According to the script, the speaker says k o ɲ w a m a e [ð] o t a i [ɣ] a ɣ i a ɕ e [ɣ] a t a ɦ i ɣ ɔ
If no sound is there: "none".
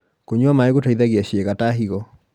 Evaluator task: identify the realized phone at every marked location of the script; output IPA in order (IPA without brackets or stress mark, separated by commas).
ɣ, ð, ɣ